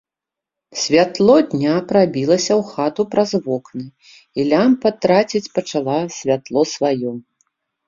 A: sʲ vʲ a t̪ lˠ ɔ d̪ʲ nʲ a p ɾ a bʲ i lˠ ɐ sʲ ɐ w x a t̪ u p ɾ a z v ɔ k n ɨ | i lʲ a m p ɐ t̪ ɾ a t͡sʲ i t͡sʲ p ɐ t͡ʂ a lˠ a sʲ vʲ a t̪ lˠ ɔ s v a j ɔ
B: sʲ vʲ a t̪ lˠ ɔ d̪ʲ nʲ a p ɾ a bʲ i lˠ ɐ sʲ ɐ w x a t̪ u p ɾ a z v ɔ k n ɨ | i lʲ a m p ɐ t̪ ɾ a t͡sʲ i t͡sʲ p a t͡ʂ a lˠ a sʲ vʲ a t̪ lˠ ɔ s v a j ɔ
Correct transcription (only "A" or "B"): A